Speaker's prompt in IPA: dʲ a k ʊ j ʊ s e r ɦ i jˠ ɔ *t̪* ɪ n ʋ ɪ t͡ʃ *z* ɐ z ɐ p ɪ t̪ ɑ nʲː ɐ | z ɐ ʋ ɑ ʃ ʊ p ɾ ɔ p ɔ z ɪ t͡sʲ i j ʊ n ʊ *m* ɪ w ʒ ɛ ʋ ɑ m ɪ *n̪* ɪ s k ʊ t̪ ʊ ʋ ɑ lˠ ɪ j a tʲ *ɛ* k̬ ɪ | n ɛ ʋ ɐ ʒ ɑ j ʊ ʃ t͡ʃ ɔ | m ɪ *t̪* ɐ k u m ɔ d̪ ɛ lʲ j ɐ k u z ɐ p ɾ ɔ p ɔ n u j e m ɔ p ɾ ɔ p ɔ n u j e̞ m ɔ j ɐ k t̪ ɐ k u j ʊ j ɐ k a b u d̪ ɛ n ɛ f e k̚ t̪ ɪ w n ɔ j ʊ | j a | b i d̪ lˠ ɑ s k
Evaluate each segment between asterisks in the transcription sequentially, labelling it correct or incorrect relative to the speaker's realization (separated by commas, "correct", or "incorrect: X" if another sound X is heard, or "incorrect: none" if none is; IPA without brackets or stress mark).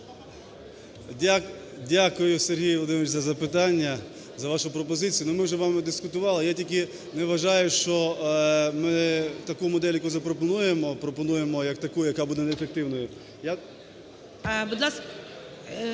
incorrect: d̪, correct, correct, incorrect: d̪, incorrect: i, correct